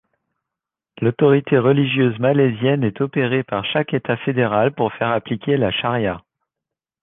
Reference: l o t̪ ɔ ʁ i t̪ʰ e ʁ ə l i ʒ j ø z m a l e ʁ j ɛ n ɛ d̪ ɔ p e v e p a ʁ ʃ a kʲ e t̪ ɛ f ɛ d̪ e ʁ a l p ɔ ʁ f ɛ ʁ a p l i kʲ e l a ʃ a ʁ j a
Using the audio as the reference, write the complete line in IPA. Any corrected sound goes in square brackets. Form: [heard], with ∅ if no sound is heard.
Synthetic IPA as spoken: l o t̪ ɔ ʁ i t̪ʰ e ʁ ə l i ʒ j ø z m a l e [z] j ɛ n ɛ [t̪] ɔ p e [ʁ] e p a ʁ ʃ a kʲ e t̪ [a] f [e] d̪ e ʁ a l p [u] ʁ f ɛ ʁ a p l i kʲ e l a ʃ a ʁ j a